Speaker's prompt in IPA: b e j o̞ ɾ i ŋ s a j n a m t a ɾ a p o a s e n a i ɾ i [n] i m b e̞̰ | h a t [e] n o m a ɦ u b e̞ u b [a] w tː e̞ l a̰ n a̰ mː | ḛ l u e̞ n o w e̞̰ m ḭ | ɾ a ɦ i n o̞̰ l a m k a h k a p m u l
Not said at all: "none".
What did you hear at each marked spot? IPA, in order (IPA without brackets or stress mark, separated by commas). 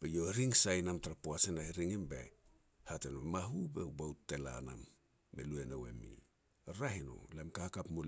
ŋ, e, a